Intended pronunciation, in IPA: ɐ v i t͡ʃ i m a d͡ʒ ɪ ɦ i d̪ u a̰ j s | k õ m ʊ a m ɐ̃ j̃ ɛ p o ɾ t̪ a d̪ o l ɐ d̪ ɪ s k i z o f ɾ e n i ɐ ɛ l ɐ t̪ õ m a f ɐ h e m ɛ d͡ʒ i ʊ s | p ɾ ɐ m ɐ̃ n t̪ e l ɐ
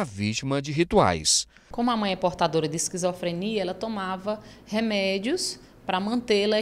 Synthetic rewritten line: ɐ v i t͡ʃ i m ɐ d͡ʒ ɪ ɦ i t̪ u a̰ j s | k õ m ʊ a m ɐ̃ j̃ ɛ p o ɾ t̪ a d̪ o ɾ ɐ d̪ ɪ s k i z o f ɾ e n i ɐ ɛ l ɐ t̪ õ m a v ɐ h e m ɛ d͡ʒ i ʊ s | p ɾ ɐ m ɐ̃ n t̪ e l ɐ